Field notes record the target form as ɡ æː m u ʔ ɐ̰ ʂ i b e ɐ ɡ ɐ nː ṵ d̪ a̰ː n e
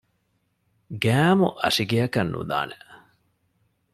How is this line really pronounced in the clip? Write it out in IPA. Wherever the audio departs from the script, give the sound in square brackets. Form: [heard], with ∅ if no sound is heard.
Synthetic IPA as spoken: ɡ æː m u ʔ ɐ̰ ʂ i [ɡ] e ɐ [k] ɐ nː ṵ d̪ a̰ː n e